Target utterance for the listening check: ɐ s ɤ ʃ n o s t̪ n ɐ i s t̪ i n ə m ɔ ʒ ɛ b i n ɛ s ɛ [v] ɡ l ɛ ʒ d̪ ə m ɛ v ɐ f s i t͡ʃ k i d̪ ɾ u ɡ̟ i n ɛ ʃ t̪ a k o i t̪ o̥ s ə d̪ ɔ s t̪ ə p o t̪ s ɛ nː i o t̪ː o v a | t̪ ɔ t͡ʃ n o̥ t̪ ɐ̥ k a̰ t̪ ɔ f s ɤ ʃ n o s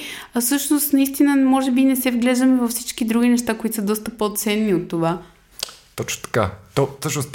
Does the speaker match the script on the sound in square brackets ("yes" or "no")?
yes